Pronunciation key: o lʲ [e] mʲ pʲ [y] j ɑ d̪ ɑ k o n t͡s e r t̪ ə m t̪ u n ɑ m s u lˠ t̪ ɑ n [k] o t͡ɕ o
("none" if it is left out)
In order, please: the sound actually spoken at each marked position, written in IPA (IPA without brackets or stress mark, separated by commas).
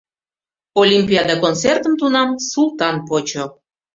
i, i, p